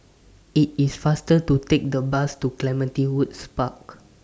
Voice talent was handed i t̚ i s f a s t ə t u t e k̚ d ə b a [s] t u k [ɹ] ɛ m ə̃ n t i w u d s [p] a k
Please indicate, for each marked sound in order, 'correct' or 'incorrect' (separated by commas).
correct, incorrect, correct